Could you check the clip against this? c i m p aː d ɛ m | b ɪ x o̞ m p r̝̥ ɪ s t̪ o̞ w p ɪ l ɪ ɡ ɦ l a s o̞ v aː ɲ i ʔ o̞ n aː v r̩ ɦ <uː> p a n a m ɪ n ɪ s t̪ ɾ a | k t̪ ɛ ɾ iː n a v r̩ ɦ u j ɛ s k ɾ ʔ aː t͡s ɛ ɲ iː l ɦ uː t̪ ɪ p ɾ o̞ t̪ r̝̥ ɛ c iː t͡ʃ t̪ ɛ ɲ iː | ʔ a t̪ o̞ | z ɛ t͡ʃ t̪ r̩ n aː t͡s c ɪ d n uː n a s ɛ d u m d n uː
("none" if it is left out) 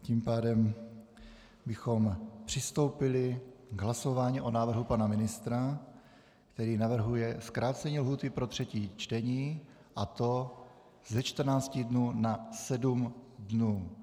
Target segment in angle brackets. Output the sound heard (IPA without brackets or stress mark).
u